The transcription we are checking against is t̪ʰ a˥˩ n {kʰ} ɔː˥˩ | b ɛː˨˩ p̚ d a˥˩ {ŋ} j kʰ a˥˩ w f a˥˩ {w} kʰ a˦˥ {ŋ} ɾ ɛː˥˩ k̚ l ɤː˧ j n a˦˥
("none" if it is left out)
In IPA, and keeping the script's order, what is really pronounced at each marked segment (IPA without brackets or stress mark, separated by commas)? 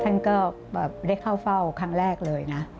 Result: k, none, w, ŋ